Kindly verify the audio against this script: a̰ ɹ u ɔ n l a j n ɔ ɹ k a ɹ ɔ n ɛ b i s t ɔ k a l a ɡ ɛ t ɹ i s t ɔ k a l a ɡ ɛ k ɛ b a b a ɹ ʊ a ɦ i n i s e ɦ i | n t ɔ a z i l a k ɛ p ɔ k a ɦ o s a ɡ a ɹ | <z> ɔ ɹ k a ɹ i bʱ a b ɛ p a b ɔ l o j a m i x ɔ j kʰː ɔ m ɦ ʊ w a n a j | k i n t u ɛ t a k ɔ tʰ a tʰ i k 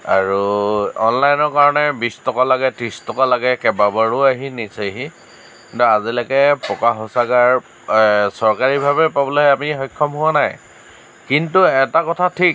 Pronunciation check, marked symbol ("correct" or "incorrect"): incorrect